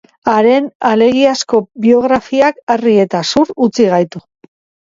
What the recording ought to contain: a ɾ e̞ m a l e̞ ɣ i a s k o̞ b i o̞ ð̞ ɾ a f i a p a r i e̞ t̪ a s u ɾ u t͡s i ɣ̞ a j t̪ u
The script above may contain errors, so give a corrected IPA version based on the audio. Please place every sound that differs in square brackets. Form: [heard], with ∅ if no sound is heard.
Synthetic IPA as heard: a ɾ e̞ [n] a l e̞ ɣ i a s k o̞ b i o̞ [ɣ̞] ɾ a f i a [k] a r i e̞ t̪ a s u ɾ u t͡s i ɣ̞ a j t̪ u